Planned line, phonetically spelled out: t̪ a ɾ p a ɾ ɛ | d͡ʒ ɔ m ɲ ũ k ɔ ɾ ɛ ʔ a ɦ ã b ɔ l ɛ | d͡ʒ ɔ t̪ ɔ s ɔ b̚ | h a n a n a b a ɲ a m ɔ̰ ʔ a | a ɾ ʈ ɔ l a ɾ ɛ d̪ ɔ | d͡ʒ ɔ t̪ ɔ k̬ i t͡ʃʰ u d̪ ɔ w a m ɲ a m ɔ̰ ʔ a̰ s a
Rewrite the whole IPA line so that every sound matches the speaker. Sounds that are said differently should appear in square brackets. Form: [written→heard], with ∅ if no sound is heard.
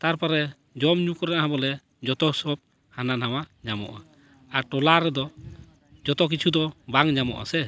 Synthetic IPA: t̪ a ɾ p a ɾ ɛ | d͡ʒ ɔ m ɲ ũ k ɔ ɾ ɛ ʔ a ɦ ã b ɔ l ɛ | d͡ʒ ɔ t̪ ɔ s ɔ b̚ | h a n a n a [b→w] a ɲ a m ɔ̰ ʔ a | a ɾ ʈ ɔ l a ɾ ɛ d̪ ɔ | d͡ʒ ɔ t̪ ɔ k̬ i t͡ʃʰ u d̪ ɔ [w→b] a [m→ŋ] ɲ a m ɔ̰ ʔ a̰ s [a→ɛ]

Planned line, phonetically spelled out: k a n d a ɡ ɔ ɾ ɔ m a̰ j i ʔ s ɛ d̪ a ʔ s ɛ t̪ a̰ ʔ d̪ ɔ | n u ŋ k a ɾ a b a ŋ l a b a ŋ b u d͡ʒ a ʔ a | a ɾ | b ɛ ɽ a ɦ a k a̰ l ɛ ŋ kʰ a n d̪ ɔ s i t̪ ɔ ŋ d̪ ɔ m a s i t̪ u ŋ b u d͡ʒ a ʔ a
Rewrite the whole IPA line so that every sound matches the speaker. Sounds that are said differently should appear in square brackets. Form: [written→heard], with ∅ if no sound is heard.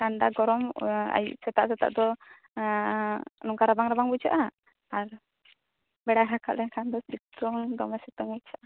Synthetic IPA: k a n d a ɡ ɔ ɾ ɔ m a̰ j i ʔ s ɛ [d̪→t̪] a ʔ s ɛ t̪ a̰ ʔ d̪ ɔ | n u ŋ k a ɾ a b a ŋ [l→ɾ] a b a ŋ b u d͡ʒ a ʔ a | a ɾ | b ɛ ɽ a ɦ a k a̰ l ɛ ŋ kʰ a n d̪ ɔ s i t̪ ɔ ŋ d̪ ɔ m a s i t̪ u ŋ b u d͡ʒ a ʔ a

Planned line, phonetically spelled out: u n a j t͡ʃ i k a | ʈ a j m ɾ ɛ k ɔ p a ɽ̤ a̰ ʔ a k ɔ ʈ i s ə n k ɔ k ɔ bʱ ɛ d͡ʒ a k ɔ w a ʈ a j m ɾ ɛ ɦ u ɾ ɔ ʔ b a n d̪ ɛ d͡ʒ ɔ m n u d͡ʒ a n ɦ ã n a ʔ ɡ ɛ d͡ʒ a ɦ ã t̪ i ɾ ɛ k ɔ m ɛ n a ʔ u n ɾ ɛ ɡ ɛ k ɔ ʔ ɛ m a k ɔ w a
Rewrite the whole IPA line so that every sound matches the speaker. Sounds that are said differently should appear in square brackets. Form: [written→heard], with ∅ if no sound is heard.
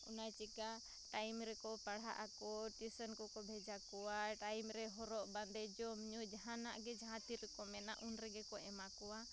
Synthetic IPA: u n a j t͡ʃ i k a | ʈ a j m ɾ ɛ k ɔ p a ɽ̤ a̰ ʔ a k ɔ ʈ i s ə n k ɔ k ɔ bʱ ɛ d͡ʒ a k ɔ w a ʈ a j m ɾ ɛ ɦ [u→ɔ] ɾ ɔ ʔ b a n d̪ ɛ d͡ʒ ɔ m [n→ɲ] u d͡ʒ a [n→∅] ɦ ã n a ʔ ɡ ɛ d͡ʒ a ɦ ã t̪ i ɾ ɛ k ɔ m ɛ n a ʔ u n ɾ ɛ ɡ ɛ k ɔ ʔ ɛ m a k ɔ w a

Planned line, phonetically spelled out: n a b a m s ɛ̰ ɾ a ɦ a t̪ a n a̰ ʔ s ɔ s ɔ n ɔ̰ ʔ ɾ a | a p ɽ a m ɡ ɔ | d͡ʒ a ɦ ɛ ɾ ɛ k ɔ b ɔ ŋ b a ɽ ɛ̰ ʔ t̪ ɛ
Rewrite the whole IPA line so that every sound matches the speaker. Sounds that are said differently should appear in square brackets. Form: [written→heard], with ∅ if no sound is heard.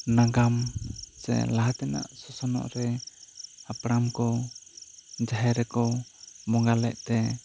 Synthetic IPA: n a [b→ɡ] a m s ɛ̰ [ɾ→l] a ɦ a t̪ [a→ɛ] n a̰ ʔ s ɔ s ɔ n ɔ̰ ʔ ɾ [a→ɛ] | a p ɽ a m [ɡ→k] ɔ | d͡ʒ a ɦ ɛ ɾ ɛ k ɔ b ɔ ŋ [b→ɡ] a [ɽ→l] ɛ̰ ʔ t̪ ɛ

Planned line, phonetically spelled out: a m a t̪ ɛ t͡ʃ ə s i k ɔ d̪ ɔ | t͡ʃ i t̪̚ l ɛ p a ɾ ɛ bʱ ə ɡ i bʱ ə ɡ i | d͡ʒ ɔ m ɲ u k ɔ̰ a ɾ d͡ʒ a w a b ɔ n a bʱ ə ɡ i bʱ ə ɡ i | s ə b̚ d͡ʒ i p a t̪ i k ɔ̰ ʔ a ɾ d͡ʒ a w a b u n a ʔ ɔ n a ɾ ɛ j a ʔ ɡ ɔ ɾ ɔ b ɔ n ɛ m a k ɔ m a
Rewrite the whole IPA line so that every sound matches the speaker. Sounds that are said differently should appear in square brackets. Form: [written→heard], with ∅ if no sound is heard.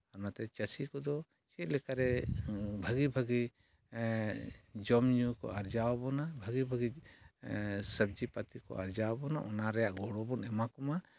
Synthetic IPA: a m a t̪ ɛ t͡ʃ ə s i k ɔ d̪ ɔ | t͡ʃ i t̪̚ l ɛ [p→k] a ɾ ɛ bʱ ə ɡ i bʱ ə ɡ i | d͡ʒ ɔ m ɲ u k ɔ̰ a ɾ d͡ʒ a w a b ɔ n a bʱ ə ɡ i bʱ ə ɡ i | s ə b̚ d͡ʒ i p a t̪ i k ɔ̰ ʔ a ɾ d͡ʒ a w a b [u→ɔ] n a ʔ ɔ n a ɾ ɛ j a ʔ ɡ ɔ [ɾ→ɽ] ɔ b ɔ n ɛ m a k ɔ m a

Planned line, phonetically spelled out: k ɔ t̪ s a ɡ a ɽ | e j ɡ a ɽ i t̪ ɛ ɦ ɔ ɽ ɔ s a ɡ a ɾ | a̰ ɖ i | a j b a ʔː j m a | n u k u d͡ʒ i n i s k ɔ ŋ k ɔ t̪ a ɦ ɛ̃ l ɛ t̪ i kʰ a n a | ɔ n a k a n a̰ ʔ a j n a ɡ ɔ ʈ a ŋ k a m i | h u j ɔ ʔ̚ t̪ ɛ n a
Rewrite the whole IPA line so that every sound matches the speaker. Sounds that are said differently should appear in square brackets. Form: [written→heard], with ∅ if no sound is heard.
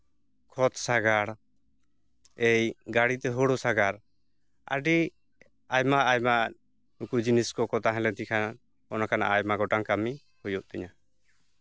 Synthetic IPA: [k→kʰ] ɔ t̪ s a ɡ a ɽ | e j ɡ a ɽ i t̪ ɛ ɦ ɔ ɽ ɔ s a ɡ a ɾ | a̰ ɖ i | a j [b→m] a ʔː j m a | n u k u d͡ʒ i n i s k ɔ [ŋ→∅] k ɔ t̪ a ɦ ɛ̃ l ɛ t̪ i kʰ a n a | ɔ n a k a n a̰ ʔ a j [n→m] a ɡ ɔ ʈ a ŋ k a m i | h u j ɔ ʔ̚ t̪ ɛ [n→ɲ] a

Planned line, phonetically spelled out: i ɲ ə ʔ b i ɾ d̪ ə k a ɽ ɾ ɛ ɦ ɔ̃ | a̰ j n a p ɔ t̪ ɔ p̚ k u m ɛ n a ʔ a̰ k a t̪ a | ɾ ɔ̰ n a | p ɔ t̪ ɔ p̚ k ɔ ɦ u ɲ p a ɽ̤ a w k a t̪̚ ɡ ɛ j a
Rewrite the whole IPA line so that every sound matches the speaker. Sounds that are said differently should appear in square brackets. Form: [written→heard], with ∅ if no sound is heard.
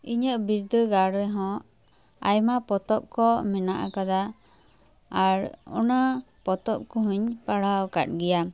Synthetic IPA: i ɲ ə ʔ b i ɾ d̪ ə [k→ɡ] a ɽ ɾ ɛ ɦ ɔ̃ | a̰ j [n→m] a p ɔ t̪ ɔ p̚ k [u→ɔ] m ɛ n a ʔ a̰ k a [t̪→d̪] a | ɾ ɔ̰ n a | p ɔ t̪ ɔ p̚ k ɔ ɦ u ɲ p a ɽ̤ a w k a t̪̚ ɡ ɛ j a

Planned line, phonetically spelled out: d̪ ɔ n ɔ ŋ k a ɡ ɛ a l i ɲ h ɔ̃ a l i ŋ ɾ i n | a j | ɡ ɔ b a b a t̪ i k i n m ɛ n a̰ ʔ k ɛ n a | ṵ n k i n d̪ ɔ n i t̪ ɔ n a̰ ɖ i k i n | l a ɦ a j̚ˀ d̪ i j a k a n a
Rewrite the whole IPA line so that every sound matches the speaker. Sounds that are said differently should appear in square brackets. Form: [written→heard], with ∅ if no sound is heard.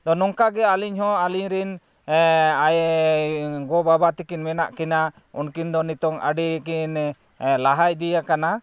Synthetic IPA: d̪ ɔ n ɔ ŋ k a ɡ ɛ a l i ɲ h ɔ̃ a l i [ŋ→ɲ] ɾ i n | a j | ɡ ɔ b a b a t̪ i k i n m ɛ n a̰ ʔ k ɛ n a | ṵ n k i n d̪ ɔ n i t̪ ɔ [n→ŋ] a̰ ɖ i k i n | l a ɦ a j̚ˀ d̪ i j a k a n a

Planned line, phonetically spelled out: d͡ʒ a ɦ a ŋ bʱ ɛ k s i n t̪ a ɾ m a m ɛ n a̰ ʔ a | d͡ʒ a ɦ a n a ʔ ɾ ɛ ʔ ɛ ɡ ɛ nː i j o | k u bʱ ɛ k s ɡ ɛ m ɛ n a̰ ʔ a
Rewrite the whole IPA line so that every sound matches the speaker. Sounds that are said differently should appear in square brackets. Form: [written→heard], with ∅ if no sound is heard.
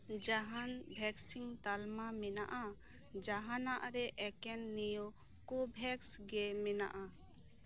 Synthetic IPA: d͡ʒ a ɦ a [ŋ→n] bʱ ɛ k s i [n→ŋ] t̪ a [ɾ→l] m a m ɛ n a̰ ʔ a | d͡ʒ a ɦ a n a ʔ ɾ ɛ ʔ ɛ [ɡ→k] ɛ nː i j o | k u bʱ ɛ k s ɡ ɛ m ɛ n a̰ ʔ a

